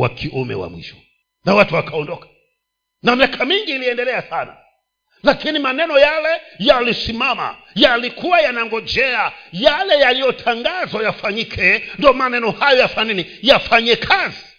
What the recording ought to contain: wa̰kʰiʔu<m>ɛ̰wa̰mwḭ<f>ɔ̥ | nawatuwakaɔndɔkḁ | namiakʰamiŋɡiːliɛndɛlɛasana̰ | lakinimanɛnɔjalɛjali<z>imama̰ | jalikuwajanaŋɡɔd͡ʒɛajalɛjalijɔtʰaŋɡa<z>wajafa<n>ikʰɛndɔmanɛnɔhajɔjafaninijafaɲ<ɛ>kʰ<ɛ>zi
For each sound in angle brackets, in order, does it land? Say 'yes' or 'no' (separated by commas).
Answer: yes, no, no, yes, no, yes, no